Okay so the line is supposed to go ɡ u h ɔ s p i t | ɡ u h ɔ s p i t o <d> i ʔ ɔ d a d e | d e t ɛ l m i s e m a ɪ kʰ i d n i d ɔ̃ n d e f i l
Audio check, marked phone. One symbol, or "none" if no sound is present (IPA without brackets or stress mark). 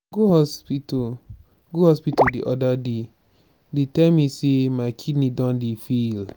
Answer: d